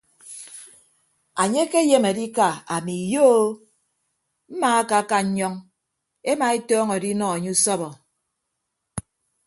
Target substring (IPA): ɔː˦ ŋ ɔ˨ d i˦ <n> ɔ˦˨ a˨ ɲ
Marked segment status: correct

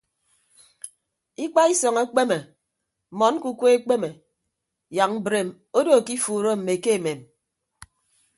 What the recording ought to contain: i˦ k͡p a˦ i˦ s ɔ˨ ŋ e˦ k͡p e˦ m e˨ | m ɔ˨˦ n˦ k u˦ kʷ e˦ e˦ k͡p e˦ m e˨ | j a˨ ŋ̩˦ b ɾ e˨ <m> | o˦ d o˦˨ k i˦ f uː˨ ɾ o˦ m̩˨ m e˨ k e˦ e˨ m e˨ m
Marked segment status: correct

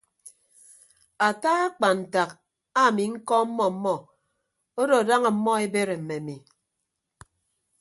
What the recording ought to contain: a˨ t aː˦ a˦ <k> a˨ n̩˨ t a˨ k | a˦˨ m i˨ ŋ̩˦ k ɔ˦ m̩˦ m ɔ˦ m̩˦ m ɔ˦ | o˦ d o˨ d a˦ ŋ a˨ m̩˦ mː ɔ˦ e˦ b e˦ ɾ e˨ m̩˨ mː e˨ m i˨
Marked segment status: incorrect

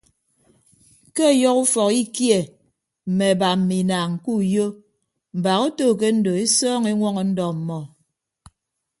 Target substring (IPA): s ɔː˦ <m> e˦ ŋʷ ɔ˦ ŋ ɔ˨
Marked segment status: incorrect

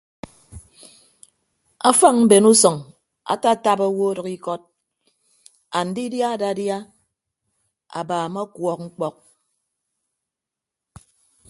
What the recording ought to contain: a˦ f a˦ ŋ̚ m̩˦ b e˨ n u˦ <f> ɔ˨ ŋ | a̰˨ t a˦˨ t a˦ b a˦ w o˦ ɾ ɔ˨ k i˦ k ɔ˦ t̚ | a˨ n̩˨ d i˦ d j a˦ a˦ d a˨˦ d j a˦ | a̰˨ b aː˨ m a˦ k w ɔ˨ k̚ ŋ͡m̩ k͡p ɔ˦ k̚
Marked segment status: incorrect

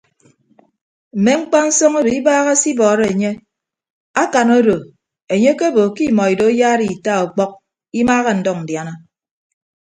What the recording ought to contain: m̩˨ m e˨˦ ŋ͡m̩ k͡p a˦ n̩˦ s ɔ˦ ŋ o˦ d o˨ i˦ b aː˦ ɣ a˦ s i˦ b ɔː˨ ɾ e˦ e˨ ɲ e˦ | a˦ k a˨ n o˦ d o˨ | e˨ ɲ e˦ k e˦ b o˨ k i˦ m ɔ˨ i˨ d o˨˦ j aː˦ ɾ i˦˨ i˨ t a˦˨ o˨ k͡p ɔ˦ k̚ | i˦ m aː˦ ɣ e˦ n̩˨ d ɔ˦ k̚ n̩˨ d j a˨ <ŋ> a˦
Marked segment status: incorrect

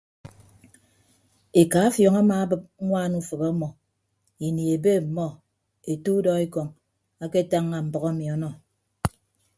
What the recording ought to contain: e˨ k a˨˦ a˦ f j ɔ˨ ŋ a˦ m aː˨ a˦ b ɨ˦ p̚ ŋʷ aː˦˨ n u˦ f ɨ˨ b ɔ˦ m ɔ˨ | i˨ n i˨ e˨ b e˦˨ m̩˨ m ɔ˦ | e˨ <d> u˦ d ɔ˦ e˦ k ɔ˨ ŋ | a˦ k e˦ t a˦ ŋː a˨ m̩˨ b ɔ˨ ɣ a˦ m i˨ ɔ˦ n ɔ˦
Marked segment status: incorrect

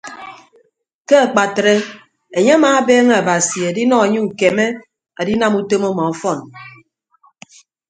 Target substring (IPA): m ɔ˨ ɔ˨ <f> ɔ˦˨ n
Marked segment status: correct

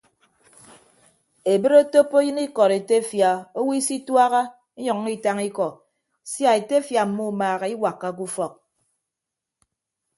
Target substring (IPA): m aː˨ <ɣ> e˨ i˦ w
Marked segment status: correct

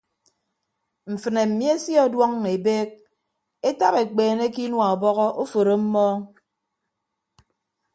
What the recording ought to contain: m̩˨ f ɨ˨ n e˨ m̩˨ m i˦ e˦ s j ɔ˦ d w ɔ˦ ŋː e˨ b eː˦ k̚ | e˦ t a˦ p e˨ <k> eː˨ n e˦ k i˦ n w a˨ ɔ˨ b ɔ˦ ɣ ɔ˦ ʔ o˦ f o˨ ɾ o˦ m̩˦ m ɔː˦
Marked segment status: incorrect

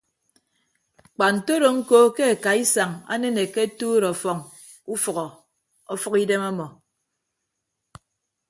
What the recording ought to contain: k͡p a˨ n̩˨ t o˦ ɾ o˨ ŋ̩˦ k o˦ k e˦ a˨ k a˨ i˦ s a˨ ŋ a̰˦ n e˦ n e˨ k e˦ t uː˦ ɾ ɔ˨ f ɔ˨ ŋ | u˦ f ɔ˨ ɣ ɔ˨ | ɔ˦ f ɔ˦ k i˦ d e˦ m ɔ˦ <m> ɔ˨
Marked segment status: correct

